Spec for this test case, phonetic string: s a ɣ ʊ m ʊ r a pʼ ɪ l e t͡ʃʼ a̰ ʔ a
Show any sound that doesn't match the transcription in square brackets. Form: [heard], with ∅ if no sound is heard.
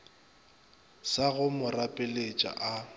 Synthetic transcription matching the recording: s a ɣ ʊ m ʊ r a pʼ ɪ l e t͡ʃʼ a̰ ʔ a